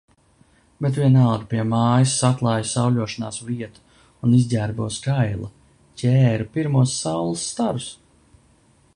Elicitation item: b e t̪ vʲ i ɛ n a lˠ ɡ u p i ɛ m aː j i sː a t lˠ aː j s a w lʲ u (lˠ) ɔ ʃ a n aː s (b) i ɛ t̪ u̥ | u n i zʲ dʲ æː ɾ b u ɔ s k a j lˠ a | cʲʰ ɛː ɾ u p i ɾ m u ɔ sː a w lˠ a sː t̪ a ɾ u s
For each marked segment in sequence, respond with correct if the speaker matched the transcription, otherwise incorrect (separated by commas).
incorrect, incorrect